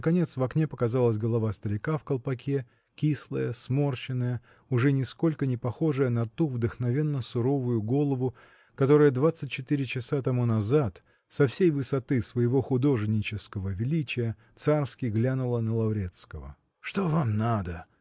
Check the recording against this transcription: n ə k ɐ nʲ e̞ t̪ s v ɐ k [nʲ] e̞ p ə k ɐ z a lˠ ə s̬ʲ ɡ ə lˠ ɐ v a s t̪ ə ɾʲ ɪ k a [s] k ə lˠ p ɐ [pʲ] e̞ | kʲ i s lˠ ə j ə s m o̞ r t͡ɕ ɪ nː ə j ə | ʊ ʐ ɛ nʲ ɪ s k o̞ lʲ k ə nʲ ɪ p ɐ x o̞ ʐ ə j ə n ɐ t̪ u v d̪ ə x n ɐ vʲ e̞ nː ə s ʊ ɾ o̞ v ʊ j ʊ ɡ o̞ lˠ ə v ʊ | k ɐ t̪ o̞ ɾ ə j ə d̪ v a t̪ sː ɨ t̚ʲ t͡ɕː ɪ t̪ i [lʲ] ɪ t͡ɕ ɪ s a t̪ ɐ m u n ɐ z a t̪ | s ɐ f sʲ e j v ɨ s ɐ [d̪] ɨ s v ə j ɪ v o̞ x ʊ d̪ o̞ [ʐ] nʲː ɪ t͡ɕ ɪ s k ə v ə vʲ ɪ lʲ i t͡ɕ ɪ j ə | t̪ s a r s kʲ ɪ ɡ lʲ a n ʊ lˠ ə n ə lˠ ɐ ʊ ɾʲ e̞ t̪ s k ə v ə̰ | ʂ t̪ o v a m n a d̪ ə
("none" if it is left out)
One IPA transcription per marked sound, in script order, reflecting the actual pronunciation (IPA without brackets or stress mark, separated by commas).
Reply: nʲ, f, kʲ, ɾʲ, t̪, ʐ